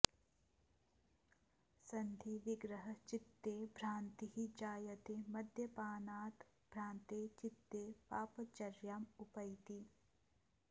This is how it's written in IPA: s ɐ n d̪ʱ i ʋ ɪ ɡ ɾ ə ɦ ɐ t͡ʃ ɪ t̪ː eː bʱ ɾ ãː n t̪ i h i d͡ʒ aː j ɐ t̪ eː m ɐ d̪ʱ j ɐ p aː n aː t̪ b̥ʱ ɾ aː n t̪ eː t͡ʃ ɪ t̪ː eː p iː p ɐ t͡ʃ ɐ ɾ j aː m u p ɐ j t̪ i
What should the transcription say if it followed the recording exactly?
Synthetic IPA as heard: s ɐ n d̪ʱ i ʋ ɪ ɡ ɾ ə ɦ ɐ t͡ʃ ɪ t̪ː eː bʱ ɾ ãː n t̪ i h i d͡ʒ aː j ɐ t̪ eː m ɐ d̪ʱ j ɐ p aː n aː t̪ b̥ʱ ɾ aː n t̪ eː t͡ʃ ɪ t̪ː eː p aː p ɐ t͡ʃ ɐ ɾ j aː m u p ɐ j t̪ i